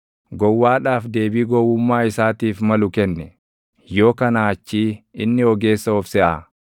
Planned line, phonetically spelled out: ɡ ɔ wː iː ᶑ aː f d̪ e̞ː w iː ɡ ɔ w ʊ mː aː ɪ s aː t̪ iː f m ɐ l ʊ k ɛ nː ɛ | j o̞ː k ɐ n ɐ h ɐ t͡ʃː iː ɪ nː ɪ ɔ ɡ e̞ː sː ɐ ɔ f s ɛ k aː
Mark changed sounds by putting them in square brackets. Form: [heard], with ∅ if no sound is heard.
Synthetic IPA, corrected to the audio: ɡ ɔ wː [aː] ᶑ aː f d̪ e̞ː [b] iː ɡ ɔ w ʊ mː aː ɪ s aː t̪ iː f m ɐ l ʊ k ɛ nː ɛ | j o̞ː k ɐ n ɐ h ɐ t͡ʃː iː ɪ nː ɪ ɔ ɡ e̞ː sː ɐ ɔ f s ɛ [ʔ] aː